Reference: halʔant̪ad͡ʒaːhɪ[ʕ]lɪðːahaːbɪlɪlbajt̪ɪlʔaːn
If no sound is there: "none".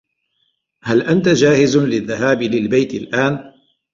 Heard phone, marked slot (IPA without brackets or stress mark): z